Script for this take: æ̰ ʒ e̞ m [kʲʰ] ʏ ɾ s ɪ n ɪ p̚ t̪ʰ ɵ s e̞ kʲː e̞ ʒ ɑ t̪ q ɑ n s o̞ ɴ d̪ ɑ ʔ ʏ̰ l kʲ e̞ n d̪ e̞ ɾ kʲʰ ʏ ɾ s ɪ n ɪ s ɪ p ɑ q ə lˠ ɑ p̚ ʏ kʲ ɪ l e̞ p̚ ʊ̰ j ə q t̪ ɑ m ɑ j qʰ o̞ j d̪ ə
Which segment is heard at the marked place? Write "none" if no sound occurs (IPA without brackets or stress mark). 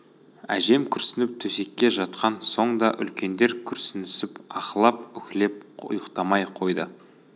kʲʰ